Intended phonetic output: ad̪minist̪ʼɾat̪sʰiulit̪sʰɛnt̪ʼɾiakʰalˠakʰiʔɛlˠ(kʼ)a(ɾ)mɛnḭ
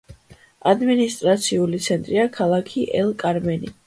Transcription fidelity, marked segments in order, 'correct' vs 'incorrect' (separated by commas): correct, correct